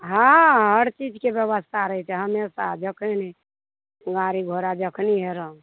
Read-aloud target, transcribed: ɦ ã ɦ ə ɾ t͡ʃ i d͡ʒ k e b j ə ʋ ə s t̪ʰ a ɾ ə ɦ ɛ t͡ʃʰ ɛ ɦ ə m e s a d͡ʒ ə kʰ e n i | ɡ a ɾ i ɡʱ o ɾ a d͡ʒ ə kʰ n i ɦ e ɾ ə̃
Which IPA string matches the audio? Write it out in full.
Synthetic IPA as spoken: ɦ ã ɦ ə ɾ t͡ʃ i d͡ʒ k e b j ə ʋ ə s t̪ʰ a ɾ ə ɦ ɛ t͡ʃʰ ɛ ɦ ə m e s a d͡ʒ ə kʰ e n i | ɡ a ɾ i ɡʱ o ɾ a d͡ʒ ə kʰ n i ɦ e ɾ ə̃